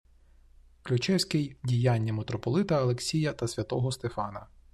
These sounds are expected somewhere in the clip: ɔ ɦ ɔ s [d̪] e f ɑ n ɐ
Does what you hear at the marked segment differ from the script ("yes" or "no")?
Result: yes